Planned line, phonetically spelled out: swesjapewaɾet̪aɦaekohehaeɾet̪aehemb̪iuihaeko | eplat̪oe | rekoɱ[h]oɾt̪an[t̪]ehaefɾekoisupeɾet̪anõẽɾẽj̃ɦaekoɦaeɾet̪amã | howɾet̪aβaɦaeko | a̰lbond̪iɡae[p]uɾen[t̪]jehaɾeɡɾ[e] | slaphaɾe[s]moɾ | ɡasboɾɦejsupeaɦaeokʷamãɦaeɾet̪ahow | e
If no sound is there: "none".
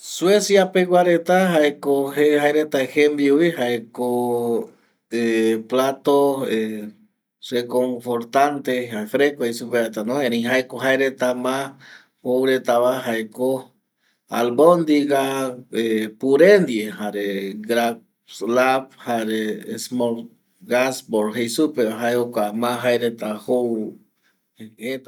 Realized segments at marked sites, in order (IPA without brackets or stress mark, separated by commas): f, t̪, p, d̪, a, s